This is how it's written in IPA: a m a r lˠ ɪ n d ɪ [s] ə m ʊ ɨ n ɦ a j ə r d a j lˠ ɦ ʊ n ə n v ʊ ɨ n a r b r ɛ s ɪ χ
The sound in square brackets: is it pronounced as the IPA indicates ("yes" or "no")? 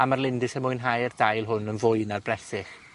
yes